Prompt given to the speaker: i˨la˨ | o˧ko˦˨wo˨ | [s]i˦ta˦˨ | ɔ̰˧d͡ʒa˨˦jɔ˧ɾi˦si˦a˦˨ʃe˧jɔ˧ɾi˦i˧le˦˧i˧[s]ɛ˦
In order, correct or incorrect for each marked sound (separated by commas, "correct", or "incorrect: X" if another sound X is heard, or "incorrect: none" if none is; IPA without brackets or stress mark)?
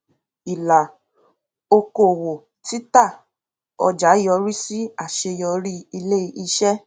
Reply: incorrect: t, incorrect: ʃ